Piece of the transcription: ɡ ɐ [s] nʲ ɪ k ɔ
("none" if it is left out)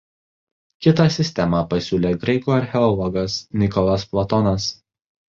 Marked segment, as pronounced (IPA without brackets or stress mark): s